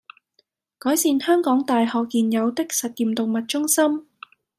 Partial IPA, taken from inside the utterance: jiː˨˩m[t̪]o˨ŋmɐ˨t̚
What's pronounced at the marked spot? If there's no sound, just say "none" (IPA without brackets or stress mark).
t̪